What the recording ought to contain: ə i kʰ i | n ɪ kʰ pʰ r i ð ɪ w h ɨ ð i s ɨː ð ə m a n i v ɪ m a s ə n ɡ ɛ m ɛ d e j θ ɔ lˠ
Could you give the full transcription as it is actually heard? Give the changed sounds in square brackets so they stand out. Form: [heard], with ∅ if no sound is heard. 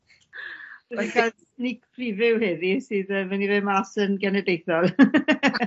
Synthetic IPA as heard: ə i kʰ [a] | n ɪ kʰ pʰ r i [v] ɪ w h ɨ ð i s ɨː ð ə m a n i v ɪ m a s ə n ɡ ɛ [n] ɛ d e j θ ɔ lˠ